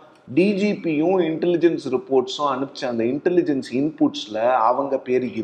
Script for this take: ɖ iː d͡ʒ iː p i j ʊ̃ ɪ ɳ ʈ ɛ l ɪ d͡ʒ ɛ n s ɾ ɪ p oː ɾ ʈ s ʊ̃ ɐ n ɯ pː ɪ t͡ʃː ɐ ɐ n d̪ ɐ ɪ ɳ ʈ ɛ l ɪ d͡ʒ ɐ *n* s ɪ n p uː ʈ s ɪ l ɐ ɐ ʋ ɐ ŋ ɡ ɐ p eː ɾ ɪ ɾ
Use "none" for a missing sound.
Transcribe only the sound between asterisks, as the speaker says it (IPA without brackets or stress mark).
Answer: n